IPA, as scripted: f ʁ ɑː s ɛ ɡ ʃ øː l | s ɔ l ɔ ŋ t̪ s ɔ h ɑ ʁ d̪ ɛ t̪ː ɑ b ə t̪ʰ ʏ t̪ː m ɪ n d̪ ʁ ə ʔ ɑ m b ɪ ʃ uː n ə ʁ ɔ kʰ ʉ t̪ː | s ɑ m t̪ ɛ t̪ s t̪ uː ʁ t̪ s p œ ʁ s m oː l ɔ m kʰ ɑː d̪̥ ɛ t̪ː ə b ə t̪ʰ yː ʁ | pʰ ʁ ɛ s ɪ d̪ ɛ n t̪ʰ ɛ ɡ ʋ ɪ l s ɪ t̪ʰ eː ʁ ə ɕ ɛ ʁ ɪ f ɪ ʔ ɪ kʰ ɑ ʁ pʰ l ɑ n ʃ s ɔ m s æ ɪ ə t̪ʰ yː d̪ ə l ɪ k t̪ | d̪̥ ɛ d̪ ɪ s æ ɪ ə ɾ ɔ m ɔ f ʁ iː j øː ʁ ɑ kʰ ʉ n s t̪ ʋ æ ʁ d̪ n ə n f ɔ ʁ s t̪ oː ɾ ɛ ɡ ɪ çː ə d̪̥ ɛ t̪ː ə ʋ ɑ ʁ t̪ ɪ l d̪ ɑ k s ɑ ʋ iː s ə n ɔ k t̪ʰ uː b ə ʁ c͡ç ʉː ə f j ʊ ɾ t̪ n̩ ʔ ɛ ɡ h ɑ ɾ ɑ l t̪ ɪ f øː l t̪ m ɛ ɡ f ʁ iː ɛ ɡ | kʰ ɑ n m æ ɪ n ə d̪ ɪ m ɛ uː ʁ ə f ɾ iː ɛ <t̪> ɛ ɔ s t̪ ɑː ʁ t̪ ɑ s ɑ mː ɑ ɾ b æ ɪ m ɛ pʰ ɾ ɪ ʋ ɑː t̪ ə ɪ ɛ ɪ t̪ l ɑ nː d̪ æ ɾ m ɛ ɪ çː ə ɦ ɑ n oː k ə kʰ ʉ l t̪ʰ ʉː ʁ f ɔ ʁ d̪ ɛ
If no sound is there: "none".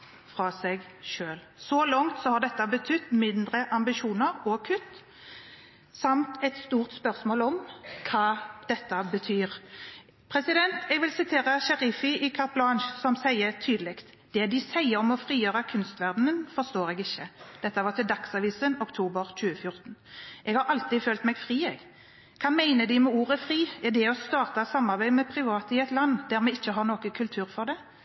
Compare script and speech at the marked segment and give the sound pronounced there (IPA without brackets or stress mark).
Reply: d̪